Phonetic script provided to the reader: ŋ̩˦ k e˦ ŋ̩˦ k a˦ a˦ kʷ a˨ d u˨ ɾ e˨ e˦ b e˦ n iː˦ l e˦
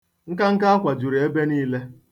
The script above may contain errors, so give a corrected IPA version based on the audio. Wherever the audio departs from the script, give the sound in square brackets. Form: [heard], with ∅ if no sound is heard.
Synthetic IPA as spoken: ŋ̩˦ k [a˦] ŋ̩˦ k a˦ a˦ kʷ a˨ [d͡ʒ] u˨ ɾ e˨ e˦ b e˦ n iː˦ l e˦